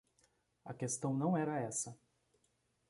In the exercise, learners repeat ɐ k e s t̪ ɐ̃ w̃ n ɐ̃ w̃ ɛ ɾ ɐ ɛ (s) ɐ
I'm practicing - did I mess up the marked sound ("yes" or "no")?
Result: no